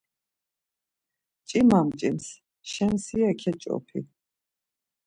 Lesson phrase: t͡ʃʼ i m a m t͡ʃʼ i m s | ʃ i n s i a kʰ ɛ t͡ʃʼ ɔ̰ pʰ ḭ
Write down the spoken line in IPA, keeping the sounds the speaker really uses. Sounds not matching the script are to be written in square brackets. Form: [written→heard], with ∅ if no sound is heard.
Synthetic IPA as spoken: t͡ʃʼ i m a m t͡ʃʼ i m s | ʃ [i→ɛ] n s i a kʰ ɛ t͡ʃʼ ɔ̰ pʰ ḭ